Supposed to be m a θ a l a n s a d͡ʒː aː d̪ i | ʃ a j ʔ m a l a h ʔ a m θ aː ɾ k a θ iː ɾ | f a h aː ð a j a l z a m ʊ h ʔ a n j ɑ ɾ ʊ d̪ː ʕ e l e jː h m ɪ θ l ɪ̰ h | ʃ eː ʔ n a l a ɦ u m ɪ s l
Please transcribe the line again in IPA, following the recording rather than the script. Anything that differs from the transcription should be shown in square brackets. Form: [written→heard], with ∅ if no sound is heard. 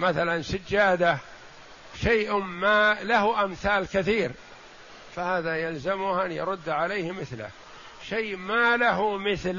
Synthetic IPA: m a θ a l a n s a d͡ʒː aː d̪ [i→a] | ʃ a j ʔ m a l a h ʔ a m θ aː [ɾ→l] k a θ iː ɾ | f a h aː ð a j a l z a m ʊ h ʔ a n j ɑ ɾ ʊ d̪ː ʕ [e→a] l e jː h m ɪ θ l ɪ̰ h | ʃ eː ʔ [n→m] a l a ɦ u m ɪ [s→θ] l